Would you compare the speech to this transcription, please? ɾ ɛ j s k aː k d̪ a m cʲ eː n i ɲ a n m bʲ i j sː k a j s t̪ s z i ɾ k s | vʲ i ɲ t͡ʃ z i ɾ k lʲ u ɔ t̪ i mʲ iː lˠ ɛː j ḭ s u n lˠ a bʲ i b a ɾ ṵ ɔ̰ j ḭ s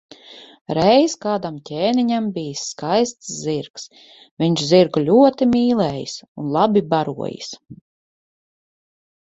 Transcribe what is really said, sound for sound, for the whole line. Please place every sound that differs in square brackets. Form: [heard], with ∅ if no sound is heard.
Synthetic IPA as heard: ɾ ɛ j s k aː [∅] d̪ a m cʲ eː n i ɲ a [∅] m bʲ i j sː k a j s t̪ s z i ɾ k s | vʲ i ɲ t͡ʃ z i ɾ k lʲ u ɔ t̪ i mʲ iː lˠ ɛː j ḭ s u n lˠ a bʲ i b a ɾ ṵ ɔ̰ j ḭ s